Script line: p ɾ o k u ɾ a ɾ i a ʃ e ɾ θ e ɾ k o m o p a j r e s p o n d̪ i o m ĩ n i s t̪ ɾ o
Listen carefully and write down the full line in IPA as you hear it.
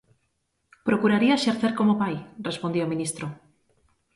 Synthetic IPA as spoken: p ɾ o k u ɾ a ɾ i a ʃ e ɾ θ e ɾ k o m o p a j r e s p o n d̪ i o m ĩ n i s t̪ ɾ o

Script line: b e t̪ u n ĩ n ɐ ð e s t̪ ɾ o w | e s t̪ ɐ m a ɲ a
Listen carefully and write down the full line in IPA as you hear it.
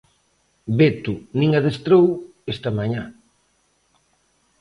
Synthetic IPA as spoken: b e t̪ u n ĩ ŋ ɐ ð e s t̪ ɾ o w | e s t̪ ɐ m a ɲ a

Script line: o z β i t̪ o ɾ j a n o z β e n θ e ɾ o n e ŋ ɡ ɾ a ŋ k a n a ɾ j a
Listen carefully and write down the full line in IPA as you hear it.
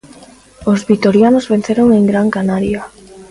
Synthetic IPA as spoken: o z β i t̪ o ɾ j a n o z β e n θ e ɾ o ŋ e ŋ ɡ ɾ a ŋ k a n a ɾ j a

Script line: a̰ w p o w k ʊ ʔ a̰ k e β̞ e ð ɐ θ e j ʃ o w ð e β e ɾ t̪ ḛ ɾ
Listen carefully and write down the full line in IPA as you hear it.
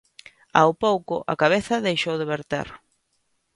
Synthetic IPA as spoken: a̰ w p o w k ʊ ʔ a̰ k a β̞ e θ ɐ ð e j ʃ o w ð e β e ɾ t̪ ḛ ɾ

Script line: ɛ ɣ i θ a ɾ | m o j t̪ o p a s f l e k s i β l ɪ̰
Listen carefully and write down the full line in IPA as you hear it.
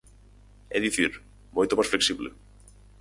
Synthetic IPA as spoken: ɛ ð i θ i ɾ | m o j t̪ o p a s f l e k s i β l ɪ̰

